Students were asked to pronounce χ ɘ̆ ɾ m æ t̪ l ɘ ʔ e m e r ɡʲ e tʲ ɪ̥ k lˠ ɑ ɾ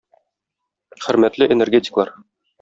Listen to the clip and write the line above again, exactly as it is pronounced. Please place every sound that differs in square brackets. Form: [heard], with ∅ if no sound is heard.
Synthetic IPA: χ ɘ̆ ɾ m æ t̪ l ɘ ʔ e [n] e r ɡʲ e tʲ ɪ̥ k lˠ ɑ ɾ